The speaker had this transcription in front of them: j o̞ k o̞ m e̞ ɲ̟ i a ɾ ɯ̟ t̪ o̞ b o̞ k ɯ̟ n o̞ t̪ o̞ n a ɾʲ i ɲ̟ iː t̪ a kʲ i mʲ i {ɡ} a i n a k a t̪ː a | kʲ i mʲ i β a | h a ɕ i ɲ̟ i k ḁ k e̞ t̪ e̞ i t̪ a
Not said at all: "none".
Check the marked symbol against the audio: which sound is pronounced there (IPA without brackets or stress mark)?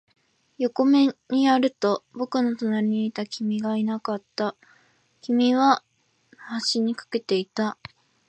ɡ